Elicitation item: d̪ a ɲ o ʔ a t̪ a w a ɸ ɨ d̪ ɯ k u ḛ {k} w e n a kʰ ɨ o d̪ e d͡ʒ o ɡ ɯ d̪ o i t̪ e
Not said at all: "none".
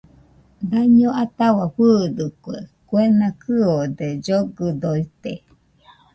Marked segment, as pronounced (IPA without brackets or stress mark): k